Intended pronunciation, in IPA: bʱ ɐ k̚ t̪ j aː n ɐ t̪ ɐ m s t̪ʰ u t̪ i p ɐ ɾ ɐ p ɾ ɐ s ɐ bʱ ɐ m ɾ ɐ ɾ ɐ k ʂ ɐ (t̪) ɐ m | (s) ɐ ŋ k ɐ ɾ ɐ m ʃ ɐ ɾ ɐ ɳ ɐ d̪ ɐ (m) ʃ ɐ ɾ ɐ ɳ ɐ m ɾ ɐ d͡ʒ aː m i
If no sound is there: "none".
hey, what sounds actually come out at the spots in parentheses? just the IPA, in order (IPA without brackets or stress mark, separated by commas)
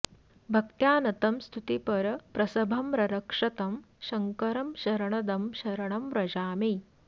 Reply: t̪, ʃ, m